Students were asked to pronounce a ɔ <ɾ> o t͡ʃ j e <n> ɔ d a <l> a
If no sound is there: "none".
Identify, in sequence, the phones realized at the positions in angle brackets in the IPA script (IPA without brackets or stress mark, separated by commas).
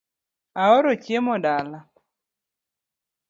ɾ, m, l